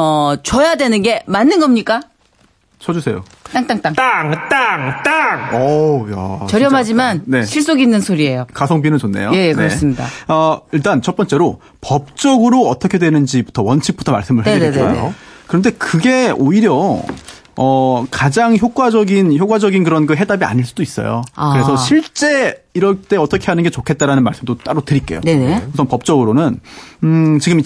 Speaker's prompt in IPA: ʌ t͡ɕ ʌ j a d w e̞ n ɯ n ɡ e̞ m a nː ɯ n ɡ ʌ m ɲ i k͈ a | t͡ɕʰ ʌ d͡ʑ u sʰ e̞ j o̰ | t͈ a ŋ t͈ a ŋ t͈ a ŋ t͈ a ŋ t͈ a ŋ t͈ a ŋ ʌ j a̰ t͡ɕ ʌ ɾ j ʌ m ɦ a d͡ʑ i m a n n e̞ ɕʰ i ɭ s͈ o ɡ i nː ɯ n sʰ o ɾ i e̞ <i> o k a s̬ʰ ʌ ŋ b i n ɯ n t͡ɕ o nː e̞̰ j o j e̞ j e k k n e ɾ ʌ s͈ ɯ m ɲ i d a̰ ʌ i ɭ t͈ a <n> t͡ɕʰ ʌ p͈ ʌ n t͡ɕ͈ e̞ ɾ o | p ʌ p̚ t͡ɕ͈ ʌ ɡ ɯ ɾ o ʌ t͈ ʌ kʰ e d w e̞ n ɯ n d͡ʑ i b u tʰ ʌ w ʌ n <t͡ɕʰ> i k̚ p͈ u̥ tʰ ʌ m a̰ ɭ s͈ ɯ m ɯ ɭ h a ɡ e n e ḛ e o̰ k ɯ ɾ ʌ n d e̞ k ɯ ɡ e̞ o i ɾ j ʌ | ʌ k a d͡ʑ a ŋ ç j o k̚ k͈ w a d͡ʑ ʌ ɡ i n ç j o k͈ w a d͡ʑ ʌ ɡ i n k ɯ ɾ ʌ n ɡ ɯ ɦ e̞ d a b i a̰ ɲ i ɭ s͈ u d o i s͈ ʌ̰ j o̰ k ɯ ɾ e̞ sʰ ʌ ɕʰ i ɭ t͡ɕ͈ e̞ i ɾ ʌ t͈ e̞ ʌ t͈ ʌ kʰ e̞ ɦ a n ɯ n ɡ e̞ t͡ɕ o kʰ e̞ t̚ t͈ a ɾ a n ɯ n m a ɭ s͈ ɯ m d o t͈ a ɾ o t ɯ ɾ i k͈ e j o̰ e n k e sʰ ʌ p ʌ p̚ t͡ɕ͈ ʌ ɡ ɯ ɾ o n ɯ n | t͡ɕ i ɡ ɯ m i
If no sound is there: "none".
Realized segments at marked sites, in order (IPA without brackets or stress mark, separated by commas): j, n, t͡ɕʰ